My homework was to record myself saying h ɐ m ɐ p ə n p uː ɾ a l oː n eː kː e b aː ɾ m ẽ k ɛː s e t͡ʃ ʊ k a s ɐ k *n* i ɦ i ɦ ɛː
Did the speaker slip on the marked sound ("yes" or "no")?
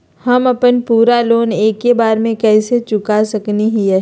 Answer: no